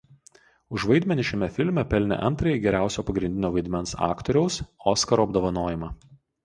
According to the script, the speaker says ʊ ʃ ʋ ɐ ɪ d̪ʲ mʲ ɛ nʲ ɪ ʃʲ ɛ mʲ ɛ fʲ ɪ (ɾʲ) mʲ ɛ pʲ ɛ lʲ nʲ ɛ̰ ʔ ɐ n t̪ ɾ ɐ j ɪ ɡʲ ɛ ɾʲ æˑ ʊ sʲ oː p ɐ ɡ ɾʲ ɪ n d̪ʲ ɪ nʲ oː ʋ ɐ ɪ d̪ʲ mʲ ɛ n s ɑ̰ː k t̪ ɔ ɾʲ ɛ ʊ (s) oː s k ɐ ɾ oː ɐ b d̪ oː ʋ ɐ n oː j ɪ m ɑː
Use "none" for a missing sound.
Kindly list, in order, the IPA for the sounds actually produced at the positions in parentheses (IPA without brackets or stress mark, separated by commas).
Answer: lʲ, s